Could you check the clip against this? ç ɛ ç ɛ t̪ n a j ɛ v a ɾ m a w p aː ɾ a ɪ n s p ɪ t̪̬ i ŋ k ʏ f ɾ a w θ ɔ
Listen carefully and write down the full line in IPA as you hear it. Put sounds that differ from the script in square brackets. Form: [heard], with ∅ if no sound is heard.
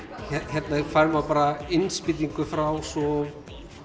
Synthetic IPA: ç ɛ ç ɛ t̪ n a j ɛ [f] a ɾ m a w p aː ɾ a ɪ n s p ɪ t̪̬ i ŋ k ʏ f ɾ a w [s] ɔ